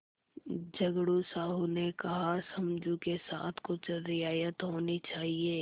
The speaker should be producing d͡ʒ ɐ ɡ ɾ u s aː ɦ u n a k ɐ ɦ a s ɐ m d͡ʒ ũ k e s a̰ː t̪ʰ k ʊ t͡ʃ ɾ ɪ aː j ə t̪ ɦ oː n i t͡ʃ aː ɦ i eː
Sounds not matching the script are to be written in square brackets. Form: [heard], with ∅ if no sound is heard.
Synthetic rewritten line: d͡ʒ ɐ ɡ [ɽ] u s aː ɦ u n [e] k ɐ ɦ a s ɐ m d͡ʒ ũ k e s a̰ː t̪ʰ k ʊ t͡ʃ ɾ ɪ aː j ə t̪ ɦ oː n i t͡ʃ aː ɦ i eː